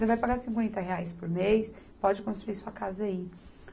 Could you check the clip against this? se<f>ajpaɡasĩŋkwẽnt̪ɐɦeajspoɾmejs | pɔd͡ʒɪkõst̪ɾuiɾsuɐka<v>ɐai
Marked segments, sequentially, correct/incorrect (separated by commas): incorrect, incorrect